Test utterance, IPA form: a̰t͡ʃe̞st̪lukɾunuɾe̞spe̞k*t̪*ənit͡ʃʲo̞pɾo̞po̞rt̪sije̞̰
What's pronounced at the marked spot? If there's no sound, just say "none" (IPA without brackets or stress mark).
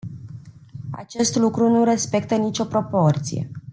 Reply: t̪